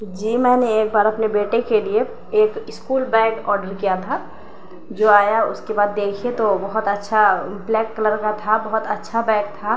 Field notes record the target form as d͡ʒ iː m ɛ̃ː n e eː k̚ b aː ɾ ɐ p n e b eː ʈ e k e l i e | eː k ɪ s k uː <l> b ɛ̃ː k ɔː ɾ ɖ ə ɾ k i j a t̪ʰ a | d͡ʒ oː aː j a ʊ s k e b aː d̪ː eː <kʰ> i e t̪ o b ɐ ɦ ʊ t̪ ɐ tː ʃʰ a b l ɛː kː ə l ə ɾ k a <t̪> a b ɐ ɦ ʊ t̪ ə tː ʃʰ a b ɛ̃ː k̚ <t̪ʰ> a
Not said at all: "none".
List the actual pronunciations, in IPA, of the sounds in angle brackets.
l, kʰ, t̪ʰ, t̪ʰ

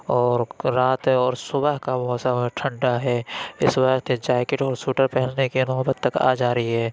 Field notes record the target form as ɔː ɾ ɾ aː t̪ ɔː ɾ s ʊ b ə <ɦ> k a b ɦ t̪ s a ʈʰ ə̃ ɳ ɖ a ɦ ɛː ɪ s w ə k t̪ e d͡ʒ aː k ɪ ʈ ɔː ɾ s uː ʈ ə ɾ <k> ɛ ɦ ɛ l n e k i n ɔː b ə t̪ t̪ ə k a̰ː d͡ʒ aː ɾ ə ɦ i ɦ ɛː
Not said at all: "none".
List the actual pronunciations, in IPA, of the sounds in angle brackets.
ɦ, p

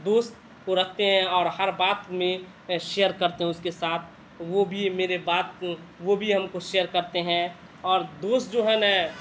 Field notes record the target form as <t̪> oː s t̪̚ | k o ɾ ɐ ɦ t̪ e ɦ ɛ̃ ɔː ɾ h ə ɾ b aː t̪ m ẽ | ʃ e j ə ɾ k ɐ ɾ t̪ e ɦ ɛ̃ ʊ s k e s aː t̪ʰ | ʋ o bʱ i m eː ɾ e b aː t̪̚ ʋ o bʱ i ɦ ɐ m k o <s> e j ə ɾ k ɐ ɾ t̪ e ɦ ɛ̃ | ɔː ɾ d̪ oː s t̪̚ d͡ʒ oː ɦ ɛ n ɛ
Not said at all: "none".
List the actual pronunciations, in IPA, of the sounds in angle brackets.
d̪, ʃ

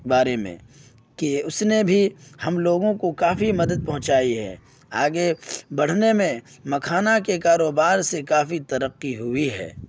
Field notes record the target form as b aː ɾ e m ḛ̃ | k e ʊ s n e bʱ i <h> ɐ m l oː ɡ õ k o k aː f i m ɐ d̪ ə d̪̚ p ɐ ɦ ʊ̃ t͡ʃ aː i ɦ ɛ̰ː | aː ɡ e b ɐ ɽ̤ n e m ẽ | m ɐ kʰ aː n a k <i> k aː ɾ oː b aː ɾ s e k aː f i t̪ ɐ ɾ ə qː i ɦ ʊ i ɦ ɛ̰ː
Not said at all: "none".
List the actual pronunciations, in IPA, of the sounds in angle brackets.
h, e

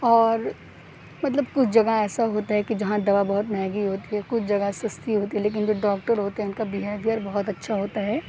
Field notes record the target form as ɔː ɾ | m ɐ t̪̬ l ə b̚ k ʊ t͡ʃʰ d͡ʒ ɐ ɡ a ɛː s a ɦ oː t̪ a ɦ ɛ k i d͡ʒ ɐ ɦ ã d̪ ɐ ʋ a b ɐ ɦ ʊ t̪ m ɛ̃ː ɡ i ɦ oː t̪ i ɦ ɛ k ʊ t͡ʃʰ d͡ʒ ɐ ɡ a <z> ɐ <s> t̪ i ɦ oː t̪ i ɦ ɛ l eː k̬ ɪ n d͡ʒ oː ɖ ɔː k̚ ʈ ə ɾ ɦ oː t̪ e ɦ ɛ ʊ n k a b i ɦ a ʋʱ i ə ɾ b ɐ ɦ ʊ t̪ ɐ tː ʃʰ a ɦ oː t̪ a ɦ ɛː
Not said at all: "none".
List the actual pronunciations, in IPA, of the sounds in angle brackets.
s, s

